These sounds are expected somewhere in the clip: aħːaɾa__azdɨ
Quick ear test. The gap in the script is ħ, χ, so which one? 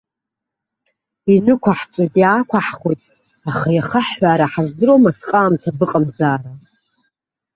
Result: ħ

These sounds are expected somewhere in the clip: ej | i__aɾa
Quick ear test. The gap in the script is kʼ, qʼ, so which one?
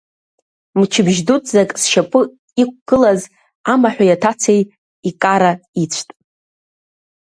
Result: kʼ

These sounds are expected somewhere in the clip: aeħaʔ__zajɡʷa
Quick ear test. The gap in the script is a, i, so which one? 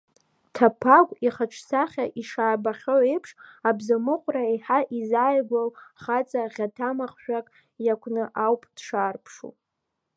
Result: i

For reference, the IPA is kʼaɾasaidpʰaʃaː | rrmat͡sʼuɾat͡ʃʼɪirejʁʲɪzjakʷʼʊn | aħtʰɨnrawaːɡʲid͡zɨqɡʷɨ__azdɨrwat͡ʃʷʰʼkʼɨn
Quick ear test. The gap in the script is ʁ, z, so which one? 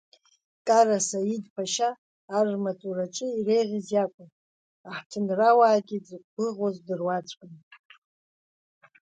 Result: ʁ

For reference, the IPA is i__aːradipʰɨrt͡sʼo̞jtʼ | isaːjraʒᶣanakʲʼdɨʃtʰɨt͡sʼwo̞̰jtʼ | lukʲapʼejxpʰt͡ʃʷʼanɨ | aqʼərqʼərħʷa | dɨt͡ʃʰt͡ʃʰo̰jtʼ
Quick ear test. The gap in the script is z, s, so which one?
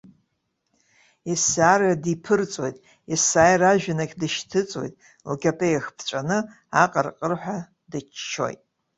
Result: s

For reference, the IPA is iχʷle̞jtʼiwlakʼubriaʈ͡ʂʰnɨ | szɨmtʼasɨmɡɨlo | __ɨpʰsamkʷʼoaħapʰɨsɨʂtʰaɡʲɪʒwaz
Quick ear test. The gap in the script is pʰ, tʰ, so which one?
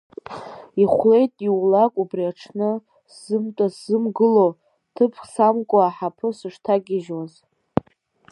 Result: tʰ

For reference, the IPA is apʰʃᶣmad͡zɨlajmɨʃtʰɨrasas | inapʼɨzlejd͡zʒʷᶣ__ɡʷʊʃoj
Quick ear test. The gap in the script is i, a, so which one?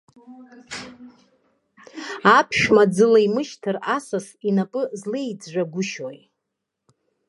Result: a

